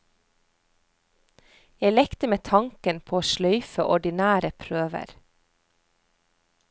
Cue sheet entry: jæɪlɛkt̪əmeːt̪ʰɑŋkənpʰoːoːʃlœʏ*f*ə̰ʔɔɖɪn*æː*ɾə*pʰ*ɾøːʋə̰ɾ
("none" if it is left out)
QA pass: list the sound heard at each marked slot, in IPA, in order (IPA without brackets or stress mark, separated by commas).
f, æː, pʰ